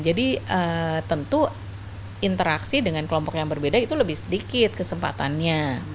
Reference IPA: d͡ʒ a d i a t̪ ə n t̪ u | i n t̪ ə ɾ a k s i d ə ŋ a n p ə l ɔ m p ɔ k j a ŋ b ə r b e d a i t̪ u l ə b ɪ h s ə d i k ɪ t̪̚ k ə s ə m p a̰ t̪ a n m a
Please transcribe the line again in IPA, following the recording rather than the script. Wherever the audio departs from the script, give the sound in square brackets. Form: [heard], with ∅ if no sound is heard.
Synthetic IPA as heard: d͡ʒ a d i [ə] t̪ ə n t̪ u | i n t̪ ə ɾ a k s i d ə ŋ a n [k] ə l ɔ m p ɔ k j a ŋ b ə r b e d a i t̪ u l ə b ɪ h s ə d i k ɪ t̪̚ k ə s ə m p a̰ t̪ a n [ɲ] a